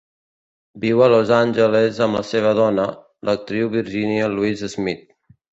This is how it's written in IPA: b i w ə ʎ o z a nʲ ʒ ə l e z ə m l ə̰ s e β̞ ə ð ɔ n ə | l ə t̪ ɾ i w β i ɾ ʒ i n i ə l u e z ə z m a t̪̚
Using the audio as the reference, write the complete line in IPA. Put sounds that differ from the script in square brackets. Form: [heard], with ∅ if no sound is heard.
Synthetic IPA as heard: b i w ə [l] o z a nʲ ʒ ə l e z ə m l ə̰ s e β̞ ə ð ɔ n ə | l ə t̪ ɾ i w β i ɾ ʒ i n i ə l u [i] z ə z m [i] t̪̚